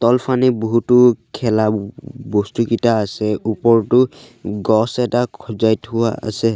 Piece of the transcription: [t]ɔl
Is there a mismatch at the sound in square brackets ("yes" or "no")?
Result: no